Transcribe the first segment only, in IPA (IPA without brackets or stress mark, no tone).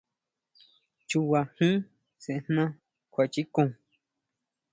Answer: t͡ʃ